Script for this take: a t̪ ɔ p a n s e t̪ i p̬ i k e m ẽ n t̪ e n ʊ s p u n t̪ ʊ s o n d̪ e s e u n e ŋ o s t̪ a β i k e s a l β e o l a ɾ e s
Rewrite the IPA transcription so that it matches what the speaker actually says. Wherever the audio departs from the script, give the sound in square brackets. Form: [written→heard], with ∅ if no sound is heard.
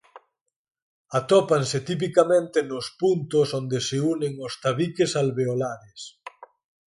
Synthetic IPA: a t̪ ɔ p a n s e t̪ i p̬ i k [e→a] m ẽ n t̪ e n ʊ s p u n t̪ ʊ s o n d̪ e s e u n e ŋ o s t̪ a β i k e s a l β e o l a ɾ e s